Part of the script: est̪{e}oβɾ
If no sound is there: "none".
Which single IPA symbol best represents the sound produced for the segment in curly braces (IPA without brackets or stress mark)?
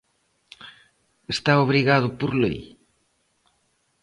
a